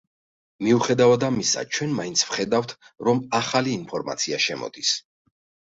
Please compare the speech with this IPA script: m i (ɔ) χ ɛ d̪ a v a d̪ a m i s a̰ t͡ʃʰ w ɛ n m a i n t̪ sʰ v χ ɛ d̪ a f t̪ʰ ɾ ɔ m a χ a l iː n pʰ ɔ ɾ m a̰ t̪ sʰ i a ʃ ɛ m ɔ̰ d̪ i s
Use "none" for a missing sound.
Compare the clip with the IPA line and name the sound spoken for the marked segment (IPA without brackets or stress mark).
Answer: u